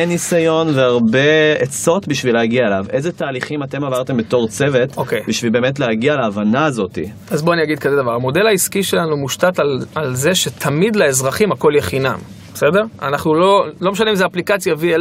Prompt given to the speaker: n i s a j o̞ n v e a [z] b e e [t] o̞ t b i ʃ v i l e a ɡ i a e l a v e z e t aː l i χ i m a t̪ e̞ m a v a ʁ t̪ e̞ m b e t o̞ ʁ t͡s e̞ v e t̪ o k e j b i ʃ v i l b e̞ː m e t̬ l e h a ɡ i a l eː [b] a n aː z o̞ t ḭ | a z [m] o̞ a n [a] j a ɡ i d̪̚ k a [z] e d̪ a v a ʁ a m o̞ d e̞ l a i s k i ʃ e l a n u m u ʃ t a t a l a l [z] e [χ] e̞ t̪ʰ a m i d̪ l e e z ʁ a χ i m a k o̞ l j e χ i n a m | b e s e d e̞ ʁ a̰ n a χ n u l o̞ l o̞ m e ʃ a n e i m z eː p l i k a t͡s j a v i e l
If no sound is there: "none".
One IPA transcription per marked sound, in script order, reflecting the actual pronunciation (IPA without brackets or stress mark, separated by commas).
ʁ, t͡s, v, b, i, z, z, ʃ